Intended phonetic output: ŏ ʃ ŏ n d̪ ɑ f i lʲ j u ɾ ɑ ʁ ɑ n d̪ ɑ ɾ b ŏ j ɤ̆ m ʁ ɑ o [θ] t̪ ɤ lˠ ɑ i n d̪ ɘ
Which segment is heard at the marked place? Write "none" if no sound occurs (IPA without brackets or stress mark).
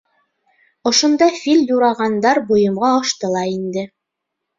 ʃ